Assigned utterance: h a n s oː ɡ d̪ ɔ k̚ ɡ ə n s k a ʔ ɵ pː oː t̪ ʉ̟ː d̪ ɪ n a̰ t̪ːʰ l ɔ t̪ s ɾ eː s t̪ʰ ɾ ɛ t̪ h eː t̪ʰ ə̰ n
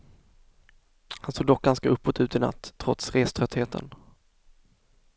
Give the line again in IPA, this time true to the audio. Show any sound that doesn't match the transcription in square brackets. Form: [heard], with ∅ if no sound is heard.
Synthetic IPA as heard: h a n s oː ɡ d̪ ɔ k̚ ɡ [a] n s k a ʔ ɵ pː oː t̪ ʉ̟ː [t̪] ɪ n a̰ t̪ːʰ [ɾ] ɔ t̪ s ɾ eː s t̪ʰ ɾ [œ] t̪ h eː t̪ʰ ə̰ n